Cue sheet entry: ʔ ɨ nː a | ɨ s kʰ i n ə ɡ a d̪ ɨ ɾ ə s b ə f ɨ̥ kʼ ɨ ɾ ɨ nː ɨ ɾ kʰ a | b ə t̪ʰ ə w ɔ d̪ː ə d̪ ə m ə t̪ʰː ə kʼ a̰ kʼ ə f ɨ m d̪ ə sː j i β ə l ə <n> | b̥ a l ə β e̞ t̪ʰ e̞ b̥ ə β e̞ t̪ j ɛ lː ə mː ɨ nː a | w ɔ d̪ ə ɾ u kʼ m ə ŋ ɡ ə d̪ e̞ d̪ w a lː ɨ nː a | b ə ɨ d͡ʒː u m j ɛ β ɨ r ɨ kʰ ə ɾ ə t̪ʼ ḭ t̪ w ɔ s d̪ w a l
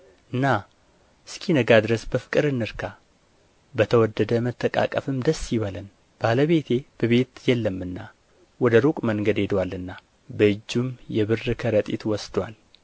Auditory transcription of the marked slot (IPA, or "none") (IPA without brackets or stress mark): n